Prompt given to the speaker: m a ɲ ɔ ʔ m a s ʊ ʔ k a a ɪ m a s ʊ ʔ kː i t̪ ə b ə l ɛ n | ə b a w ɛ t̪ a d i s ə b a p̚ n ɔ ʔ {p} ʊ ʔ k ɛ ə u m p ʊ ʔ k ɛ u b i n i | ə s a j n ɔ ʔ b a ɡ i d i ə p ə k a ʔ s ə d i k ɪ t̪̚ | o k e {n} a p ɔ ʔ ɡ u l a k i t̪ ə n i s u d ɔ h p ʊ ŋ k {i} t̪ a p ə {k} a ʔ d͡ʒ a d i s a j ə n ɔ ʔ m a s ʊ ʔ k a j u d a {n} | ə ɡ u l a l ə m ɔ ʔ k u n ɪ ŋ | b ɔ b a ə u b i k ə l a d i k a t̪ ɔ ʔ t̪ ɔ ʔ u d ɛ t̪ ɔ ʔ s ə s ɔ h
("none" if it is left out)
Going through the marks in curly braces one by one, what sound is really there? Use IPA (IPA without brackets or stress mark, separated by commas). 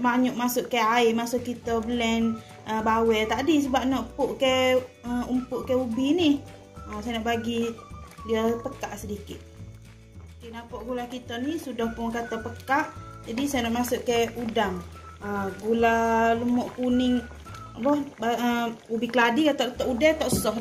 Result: p, n, a, k, ŋ